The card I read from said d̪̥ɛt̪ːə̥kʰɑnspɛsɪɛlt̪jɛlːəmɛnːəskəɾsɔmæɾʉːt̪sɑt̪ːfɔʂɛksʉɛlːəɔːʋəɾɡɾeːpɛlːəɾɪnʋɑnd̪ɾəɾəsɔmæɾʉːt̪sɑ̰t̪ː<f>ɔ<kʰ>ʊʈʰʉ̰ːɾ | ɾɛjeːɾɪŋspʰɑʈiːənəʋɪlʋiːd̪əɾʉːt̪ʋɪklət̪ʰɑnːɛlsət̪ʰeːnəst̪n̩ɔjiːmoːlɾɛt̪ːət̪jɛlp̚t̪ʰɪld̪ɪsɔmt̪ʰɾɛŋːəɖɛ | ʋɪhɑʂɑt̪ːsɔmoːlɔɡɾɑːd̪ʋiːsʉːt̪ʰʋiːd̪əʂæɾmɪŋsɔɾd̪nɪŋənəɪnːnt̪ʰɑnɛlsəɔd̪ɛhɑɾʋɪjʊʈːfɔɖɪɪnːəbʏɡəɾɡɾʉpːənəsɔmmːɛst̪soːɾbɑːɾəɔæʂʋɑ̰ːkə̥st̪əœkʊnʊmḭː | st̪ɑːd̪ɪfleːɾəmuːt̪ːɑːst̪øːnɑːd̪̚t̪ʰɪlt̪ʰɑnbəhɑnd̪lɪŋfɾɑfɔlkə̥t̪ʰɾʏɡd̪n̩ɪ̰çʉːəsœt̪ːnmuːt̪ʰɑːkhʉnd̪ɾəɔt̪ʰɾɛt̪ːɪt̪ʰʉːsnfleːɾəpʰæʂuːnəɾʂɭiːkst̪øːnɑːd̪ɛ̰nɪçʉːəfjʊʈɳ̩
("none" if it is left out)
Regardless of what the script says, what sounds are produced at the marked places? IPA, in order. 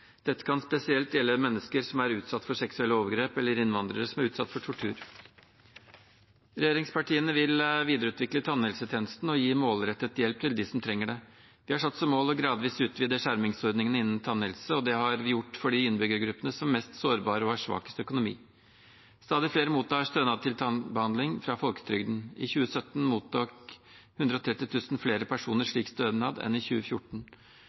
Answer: f, ʈʰ

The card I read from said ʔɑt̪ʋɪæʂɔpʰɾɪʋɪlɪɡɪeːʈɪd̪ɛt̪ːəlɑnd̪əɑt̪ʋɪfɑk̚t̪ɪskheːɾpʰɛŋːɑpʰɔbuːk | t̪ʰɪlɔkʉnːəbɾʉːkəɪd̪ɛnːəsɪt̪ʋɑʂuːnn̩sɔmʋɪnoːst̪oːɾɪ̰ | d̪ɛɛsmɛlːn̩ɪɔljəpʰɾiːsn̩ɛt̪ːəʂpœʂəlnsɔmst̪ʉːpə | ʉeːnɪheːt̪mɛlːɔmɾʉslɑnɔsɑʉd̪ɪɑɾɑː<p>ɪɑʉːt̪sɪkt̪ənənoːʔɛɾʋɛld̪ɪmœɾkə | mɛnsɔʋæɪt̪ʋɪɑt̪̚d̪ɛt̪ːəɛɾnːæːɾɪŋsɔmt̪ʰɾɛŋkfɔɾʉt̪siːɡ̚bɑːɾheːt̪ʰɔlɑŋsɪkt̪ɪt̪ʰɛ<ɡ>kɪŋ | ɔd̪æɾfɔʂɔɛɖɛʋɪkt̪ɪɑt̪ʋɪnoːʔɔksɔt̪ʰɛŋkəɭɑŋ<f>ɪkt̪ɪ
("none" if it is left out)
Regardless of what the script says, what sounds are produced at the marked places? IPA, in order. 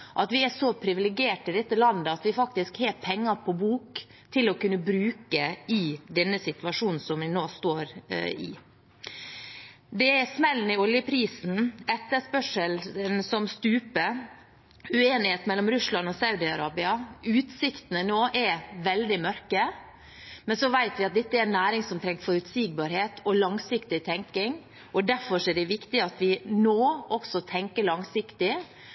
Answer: b, ŋ, s

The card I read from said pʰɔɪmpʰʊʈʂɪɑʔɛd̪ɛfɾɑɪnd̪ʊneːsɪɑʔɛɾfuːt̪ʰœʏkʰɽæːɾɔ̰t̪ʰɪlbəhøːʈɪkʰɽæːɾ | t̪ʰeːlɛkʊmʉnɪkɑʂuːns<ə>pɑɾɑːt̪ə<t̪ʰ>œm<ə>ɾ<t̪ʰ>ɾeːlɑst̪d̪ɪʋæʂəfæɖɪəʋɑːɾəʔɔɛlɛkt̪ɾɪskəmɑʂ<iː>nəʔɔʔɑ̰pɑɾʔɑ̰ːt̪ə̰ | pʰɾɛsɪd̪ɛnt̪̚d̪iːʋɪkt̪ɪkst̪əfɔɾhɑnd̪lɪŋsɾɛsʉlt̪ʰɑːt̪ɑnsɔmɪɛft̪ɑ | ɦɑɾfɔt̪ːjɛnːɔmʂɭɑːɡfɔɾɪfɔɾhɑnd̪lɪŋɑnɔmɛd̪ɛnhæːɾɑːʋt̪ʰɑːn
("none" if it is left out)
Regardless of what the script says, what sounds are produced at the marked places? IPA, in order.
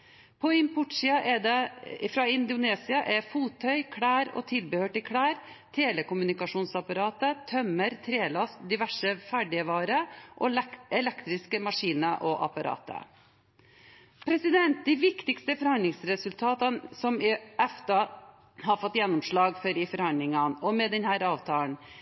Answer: ɑ, t̪ʰ, ə, t̪ʰ, iː

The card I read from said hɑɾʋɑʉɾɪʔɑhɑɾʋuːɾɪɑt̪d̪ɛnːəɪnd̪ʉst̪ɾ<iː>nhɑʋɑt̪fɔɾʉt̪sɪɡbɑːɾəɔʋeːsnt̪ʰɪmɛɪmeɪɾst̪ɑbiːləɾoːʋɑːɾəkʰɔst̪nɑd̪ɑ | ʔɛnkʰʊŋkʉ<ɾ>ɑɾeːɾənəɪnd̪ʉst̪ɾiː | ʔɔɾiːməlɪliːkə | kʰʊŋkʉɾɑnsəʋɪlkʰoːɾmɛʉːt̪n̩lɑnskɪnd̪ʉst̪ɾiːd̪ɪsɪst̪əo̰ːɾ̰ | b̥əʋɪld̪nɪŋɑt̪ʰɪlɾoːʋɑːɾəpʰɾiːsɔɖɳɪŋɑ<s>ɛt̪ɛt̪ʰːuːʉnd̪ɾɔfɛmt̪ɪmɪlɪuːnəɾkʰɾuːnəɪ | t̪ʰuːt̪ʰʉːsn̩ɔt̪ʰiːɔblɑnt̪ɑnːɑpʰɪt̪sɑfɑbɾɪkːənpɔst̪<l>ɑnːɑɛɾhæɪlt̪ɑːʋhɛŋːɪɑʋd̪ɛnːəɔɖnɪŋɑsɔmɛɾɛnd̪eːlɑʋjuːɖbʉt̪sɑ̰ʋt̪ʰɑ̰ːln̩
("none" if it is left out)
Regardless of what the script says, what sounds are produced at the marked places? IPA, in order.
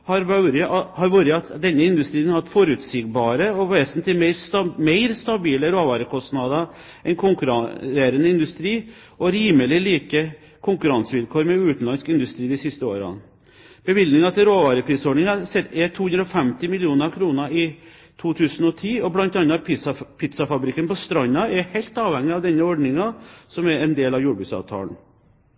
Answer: iː, ɾ, s, ɾ

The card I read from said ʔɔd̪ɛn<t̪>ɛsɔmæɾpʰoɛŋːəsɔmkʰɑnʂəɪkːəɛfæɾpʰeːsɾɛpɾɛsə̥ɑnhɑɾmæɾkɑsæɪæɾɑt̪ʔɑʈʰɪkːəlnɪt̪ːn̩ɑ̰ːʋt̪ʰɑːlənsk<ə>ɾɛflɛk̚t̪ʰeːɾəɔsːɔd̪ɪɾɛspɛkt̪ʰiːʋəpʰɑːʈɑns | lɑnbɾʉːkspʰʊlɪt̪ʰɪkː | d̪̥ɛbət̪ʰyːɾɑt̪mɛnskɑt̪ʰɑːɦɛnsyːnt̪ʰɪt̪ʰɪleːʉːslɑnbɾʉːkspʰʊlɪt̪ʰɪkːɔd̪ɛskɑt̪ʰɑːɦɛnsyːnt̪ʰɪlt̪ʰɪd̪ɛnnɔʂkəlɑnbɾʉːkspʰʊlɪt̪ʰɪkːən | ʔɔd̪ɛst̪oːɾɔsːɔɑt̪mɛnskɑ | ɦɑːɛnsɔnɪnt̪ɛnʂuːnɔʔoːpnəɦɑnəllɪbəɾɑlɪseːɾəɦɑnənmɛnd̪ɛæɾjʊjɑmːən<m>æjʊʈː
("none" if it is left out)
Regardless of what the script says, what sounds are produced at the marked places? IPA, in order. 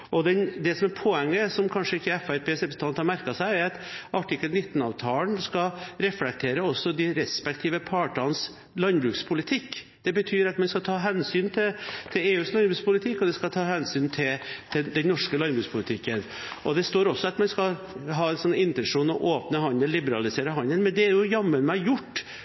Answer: d̪, ɑ, m

